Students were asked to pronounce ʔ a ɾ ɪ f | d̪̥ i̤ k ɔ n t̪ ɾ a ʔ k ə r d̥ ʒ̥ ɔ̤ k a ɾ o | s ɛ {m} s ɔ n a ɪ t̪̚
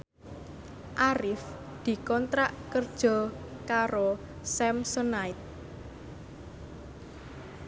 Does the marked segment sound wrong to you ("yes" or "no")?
no